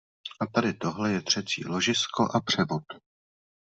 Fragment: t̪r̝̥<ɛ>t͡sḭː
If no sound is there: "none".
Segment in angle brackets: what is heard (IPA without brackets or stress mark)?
ɛ